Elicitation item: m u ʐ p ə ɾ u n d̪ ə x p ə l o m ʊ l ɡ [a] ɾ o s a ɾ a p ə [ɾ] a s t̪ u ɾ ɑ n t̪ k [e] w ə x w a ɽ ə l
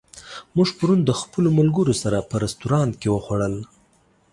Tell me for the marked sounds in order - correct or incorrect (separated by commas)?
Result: incorrect, correct, correct